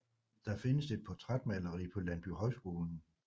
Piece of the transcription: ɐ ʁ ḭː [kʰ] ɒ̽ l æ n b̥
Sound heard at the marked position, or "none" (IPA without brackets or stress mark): pʰ